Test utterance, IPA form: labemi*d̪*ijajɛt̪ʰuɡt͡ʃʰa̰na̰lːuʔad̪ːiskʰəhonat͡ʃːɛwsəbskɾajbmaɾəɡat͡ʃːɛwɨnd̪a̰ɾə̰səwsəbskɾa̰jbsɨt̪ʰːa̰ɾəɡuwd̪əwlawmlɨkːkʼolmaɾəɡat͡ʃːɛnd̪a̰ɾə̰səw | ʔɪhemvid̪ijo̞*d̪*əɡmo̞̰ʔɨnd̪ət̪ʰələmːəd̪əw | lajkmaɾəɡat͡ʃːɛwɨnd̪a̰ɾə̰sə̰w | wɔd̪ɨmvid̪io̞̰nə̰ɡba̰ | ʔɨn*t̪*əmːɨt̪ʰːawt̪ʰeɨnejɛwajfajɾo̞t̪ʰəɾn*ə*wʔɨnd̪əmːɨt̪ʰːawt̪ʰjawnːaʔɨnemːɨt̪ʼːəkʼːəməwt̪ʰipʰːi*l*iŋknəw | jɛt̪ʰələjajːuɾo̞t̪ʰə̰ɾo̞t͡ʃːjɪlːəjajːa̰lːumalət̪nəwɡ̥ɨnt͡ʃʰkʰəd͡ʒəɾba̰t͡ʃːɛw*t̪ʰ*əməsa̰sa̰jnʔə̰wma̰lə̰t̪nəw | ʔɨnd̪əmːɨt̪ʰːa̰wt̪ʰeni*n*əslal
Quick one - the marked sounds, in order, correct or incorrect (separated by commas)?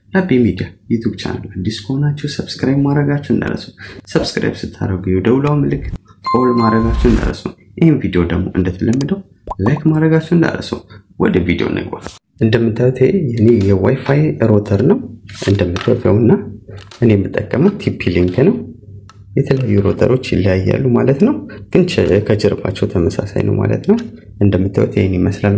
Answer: correct, correct, incorrect, correct, correct, correct, incorrect